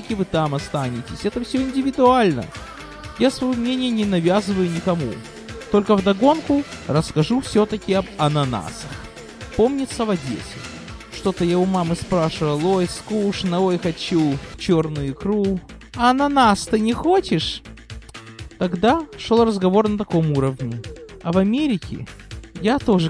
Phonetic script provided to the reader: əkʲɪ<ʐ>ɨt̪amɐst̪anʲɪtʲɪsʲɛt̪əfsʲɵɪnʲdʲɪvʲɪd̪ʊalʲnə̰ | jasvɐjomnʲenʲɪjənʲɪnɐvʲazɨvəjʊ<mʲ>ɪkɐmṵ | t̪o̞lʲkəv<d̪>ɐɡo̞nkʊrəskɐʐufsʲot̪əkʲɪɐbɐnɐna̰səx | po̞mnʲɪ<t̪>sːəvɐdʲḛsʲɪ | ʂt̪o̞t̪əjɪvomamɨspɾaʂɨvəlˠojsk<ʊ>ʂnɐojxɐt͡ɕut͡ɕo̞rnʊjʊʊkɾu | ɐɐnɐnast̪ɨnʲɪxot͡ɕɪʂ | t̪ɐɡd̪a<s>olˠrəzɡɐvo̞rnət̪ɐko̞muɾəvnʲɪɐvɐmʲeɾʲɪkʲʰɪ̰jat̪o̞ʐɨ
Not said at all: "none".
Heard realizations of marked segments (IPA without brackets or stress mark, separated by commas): v, nʲ, d̪, t̪, u, ʂ